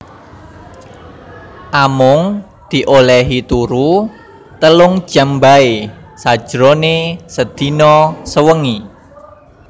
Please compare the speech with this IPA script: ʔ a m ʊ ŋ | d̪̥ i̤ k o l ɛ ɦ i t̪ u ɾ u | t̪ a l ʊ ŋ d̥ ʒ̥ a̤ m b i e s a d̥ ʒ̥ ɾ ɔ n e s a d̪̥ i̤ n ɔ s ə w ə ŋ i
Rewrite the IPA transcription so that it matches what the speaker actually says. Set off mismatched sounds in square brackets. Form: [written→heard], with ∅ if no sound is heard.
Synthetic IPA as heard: ʔ a m ʊ ŋ | d̪̥ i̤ [k→ʔ] o l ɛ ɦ i t̪ u ɾ u | t̪ [a→ə] l ʊ ŋ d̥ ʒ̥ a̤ m b [i→a] e s a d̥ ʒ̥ ɾ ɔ n e s [a→ə] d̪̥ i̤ n ɔ s ə w ə ŋ i